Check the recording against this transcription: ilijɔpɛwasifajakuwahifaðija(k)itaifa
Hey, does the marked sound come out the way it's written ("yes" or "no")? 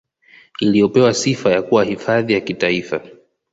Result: yes